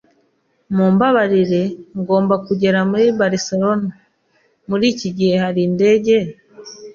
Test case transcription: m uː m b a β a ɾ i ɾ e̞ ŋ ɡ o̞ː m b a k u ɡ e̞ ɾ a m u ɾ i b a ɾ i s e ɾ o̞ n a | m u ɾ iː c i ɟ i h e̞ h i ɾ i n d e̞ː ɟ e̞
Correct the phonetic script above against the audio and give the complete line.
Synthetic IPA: m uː m b a β a ɾ i ɾ e̞ ŋ ɡ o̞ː m b a k u ɟ e̞ ɾ a m u ɾ i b a ɾ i s e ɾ o̞ n a | m u ɾ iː c i ɟ i h e̞ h a ɾ i n d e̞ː ɟ e̞